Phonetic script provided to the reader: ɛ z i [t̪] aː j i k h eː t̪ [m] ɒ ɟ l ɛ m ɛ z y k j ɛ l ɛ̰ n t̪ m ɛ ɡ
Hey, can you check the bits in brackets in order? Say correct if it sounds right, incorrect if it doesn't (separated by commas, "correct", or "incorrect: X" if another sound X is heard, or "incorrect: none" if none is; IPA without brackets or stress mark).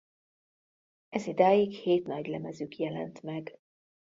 incorrect: d̪, incorrect: n